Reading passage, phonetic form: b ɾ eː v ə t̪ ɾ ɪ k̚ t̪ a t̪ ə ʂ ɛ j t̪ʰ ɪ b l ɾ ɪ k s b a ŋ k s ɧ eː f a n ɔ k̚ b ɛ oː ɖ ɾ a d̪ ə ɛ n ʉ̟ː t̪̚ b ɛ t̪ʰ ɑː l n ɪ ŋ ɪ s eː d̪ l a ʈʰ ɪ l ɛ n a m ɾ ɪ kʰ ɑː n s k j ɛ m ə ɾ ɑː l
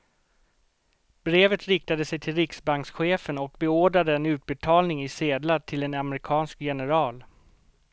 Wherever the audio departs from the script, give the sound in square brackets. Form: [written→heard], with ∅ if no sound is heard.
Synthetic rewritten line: b ɾ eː v ə t̪ ɾ ɪ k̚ t̪ a [t̪→d̪] ə [ʂ→s] ɛ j t̪ʰ ɪ [b→∅] l ɾ ɪ k s b a ŋ k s ɧ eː f [a→ə] n ɔ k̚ b ɛ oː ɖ ɾ a d̪ ə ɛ n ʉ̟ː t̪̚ b ɛ t̪ʰ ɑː l n ɪ ŋ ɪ s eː d̪ l a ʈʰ ɪ l ɛ n a m ɾ ɪ kʰ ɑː n s k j ɛ [m→n] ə ɾ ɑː l